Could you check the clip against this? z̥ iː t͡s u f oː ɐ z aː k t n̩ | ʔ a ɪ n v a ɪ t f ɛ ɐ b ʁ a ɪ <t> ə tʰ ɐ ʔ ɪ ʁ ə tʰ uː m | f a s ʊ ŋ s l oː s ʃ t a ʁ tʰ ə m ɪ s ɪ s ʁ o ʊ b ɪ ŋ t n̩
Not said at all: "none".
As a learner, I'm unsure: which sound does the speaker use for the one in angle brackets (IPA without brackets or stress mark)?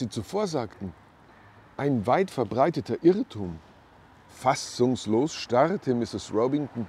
t